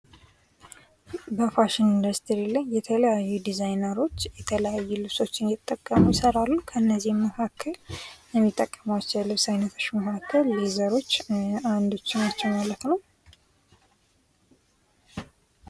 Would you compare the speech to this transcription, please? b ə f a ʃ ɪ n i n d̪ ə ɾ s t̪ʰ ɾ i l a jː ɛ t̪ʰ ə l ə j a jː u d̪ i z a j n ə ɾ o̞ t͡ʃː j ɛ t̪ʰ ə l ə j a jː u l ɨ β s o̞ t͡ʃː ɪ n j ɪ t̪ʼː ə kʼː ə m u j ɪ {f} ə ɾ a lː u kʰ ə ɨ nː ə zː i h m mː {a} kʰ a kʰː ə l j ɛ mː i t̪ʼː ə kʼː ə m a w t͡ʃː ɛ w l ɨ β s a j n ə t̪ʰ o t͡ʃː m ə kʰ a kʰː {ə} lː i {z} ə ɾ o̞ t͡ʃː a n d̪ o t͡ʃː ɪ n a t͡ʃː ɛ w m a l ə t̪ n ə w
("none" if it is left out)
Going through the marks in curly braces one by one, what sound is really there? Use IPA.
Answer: s, ə, ə, z

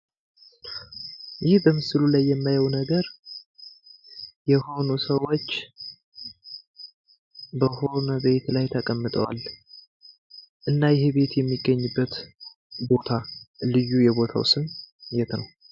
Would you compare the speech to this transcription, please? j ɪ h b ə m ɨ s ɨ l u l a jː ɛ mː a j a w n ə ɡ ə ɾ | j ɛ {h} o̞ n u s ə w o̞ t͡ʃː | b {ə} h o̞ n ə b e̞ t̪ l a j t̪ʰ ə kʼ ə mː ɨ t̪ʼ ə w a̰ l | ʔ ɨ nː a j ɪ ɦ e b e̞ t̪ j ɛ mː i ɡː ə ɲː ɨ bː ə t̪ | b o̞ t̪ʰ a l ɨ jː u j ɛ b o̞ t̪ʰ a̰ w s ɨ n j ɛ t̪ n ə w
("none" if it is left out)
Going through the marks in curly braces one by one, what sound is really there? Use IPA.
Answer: h, ə

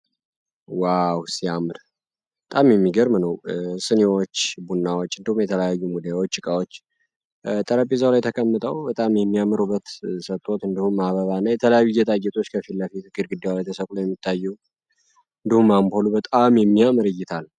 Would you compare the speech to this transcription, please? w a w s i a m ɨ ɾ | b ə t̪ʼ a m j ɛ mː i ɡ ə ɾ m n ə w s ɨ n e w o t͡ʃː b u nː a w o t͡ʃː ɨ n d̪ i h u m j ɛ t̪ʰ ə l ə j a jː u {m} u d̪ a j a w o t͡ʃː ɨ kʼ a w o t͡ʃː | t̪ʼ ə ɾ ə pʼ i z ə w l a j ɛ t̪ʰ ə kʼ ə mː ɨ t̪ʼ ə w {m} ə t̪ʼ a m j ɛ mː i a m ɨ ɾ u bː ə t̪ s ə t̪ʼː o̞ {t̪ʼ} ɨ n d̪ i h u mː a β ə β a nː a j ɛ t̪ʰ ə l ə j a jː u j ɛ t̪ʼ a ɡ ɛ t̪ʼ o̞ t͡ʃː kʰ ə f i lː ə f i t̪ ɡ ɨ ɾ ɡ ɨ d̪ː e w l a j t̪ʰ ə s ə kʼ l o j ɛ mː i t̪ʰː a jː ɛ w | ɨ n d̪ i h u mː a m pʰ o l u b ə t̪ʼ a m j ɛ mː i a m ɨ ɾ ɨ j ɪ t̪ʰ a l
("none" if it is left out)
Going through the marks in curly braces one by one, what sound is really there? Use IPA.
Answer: m, b, t̪

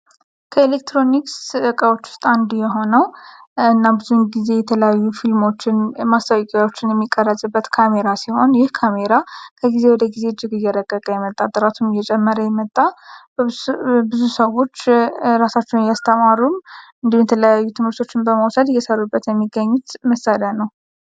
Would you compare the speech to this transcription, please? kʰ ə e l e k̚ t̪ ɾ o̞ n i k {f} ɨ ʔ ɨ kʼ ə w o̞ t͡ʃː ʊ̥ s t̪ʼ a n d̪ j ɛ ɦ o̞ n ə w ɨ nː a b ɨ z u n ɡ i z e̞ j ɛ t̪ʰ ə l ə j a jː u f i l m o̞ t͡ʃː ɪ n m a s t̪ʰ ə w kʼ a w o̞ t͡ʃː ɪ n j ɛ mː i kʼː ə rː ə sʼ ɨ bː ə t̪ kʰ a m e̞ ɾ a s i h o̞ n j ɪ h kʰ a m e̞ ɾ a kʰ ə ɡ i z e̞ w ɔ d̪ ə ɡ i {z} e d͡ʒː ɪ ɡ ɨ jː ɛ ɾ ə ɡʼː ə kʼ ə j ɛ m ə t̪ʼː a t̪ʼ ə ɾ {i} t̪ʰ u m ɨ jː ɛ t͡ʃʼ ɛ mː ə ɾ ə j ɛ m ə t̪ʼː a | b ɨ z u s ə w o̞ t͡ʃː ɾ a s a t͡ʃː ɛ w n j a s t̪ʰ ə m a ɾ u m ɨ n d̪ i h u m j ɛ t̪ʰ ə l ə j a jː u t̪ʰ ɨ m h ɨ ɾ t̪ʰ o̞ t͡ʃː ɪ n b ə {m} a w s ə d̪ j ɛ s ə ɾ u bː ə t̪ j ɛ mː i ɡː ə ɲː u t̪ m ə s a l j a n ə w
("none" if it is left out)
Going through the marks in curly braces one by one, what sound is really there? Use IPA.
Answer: s, z, a, m

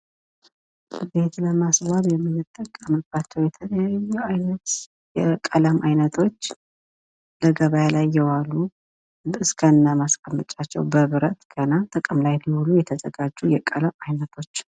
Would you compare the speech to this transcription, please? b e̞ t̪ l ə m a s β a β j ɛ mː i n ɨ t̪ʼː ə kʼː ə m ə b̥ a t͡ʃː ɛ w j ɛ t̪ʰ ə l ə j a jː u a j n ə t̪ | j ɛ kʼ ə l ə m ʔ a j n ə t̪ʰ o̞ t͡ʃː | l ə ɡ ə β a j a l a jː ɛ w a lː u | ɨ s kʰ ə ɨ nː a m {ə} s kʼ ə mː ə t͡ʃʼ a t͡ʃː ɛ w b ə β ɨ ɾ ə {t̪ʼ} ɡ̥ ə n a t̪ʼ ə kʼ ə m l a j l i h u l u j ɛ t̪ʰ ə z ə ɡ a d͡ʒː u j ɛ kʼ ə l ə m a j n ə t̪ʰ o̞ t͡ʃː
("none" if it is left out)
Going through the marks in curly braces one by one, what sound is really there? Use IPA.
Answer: a, t̪

